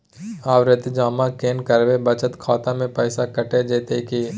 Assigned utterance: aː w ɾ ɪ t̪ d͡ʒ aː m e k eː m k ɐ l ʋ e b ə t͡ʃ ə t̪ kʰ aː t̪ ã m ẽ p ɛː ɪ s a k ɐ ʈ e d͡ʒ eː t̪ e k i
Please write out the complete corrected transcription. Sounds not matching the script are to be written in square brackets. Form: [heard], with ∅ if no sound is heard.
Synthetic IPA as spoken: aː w ɾ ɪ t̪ d͡ʒ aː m [a] k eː [n] k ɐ [ɾ] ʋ e b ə t͡ʃ ə t̪ kʰ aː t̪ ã m ẽ p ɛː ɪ s a k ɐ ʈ e d͡ʒ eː t̪ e k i